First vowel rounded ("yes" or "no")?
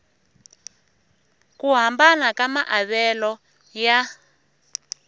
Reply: yes